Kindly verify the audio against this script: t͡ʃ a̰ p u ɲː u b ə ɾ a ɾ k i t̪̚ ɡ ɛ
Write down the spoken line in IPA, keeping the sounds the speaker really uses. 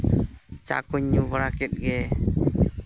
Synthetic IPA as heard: t͡ʃ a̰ k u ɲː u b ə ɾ a k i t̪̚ ɡ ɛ